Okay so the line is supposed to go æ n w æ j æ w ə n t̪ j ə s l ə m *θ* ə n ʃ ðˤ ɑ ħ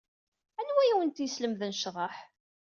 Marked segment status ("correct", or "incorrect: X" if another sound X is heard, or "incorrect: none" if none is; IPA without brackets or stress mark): incorrect: ð